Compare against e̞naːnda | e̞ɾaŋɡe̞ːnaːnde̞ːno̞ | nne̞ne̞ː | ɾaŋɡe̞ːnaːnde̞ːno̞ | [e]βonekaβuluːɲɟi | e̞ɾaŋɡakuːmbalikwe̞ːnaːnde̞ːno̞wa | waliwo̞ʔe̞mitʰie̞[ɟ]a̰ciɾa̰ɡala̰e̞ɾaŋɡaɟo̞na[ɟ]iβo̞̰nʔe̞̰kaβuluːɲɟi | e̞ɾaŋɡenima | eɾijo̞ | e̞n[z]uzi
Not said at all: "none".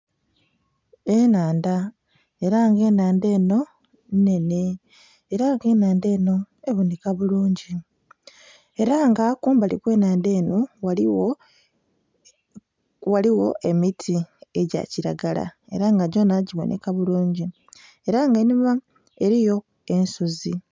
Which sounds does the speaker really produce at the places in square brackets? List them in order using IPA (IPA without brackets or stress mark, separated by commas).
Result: e, ɟ, ɟ, s